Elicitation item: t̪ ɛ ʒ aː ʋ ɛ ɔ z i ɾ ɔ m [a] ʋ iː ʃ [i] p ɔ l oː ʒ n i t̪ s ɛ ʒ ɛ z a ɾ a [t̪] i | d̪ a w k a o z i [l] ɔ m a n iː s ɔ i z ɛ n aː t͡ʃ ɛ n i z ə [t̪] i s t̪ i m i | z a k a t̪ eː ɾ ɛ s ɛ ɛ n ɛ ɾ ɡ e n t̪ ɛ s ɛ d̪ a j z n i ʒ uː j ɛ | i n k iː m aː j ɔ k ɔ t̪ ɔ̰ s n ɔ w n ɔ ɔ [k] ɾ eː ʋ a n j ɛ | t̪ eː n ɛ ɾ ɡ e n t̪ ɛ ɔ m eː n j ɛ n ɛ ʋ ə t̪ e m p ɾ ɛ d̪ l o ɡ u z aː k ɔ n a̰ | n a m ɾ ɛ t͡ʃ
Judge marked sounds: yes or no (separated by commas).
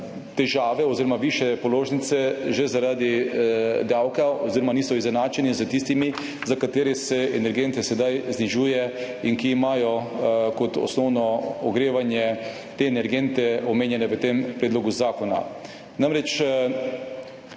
yes, no, no, no, yes, no